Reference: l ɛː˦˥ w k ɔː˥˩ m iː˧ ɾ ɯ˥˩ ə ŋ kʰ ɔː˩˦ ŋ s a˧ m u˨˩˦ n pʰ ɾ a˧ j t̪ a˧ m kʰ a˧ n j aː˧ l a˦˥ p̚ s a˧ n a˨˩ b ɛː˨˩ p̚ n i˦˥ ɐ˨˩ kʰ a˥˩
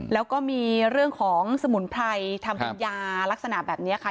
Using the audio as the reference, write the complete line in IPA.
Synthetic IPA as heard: l ɛː˦˥ w k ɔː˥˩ m iː˧ ɾ ɯ˥˩ ə ŋ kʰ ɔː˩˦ ŋ s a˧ m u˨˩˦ n pʰ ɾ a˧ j t̪ʰ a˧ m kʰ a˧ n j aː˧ l a˦˥ k̚ s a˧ n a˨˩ b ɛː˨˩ p̚ n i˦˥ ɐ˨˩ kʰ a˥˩